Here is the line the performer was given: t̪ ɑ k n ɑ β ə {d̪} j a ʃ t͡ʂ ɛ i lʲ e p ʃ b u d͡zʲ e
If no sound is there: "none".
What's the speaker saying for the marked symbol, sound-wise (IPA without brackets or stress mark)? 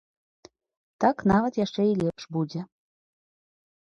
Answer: t̪